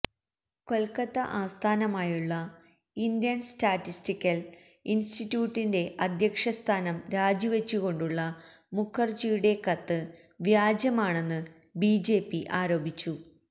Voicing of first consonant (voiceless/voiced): voiceless